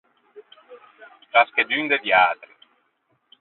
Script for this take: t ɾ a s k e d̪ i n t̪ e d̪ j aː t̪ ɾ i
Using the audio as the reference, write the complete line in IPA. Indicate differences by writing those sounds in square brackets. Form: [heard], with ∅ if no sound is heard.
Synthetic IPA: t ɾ a s k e d̪ [y] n [d̪] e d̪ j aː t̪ ɾ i